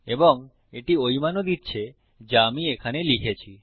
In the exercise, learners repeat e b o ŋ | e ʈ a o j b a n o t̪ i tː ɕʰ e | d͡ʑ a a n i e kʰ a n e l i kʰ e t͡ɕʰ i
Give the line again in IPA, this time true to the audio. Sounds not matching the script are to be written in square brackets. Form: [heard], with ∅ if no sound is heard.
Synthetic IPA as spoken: e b o ŋ | e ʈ [i] o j [m] a n o [d̪] i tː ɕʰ e | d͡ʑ a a [m] i e kʰ a n e l i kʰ e t͡ɕʰ i